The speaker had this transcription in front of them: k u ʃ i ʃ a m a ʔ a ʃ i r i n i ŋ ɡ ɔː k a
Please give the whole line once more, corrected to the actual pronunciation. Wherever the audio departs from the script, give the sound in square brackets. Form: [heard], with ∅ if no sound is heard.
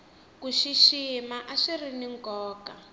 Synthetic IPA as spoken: k u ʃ i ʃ [i] m a ʔ a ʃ i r i n i ŋ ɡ ɔː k a